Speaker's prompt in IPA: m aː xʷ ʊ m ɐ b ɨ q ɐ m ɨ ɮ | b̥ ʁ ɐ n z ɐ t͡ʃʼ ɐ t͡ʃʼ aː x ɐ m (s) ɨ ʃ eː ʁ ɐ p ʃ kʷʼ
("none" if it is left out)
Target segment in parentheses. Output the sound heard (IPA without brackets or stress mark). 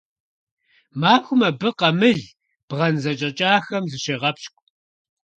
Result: z